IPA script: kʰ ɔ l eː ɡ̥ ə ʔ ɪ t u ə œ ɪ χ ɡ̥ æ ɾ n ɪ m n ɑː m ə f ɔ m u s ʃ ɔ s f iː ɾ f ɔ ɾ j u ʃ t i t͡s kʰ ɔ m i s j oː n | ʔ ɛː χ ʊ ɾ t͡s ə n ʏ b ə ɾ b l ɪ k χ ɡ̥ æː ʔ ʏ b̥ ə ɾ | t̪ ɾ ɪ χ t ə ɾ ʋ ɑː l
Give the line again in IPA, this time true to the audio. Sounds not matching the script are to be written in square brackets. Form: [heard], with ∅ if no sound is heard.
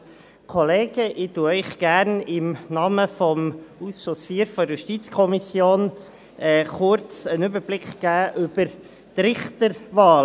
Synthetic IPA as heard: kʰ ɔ l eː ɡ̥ ə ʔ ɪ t u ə œ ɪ χ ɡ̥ æ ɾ n ɪ m n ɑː m ə f ɔ m u s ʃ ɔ s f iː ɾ f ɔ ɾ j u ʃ t i t͡s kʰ ɔ m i s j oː n | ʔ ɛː χ ʊ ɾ t͡s ə n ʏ b ə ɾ b l ɪ k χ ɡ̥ æː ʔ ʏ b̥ ə ɾ | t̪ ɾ ɪ χ t ə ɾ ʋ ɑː l